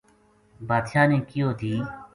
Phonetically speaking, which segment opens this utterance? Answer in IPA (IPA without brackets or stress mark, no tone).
b